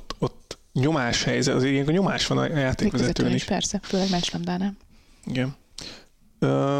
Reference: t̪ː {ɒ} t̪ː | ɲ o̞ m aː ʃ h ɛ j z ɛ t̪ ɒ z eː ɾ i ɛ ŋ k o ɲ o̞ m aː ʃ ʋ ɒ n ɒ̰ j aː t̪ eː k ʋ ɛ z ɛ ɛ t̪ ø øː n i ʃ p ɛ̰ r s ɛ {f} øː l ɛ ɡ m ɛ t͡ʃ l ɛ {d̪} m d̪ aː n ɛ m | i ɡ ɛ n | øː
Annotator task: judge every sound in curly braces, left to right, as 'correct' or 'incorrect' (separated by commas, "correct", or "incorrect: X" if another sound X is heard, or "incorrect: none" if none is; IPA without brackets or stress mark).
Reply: incorrect: o, correct, incorrect: none